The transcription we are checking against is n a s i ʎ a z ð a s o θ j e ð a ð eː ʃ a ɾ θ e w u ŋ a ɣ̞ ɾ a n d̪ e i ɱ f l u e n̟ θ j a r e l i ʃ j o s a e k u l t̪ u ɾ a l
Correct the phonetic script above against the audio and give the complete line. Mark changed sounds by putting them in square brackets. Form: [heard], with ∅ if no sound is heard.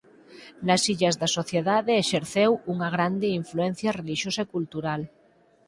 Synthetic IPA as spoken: n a s i ʎ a z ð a s o θ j e ð a ð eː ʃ [e] ɾ θ e w u ŋ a ɣ̞ ɾ a n d̪ e i ɱ f l u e n̟ θ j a r e l i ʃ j o s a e k u l t̪ u ɾ a l

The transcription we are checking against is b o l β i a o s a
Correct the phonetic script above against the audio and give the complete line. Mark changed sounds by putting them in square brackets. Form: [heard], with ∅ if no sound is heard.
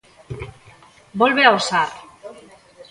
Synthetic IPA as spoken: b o l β [e] a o s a

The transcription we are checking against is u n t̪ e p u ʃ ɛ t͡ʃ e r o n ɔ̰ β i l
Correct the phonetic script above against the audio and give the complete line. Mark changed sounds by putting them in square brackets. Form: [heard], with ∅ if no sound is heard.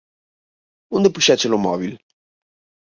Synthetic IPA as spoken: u n [d̪] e p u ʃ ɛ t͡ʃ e [l] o [m] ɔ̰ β i l

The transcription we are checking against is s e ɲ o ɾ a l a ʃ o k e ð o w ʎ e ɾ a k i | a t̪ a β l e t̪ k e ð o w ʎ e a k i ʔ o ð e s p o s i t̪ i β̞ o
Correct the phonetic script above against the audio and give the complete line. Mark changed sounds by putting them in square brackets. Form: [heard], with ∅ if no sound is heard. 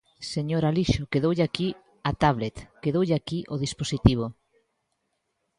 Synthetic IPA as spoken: s e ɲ o ɾ a l [i] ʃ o k e ð o w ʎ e [∅] a k i | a t̪ a β l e t̪ k e ð o w ʎ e a k i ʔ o ð [i] s p o s i t̪ i β̞ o

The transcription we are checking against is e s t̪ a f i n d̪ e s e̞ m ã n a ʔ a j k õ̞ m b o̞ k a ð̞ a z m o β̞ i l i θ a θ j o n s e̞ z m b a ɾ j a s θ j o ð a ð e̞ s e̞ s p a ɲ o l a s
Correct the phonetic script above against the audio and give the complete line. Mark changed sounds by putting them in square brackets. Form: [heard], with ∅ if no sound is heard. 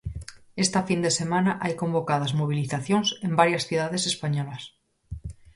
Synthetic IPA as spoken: e s t̪ a f i n d̪ e s e̞ m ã n a ʔ a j k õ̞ m b o̞ k a ð̞ a z m o β̞ i l i θ a θ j o n s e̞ [∅] m b a ɾ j a s θ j [u] ð a ð e̞ s e̞ s p a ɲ o l a s

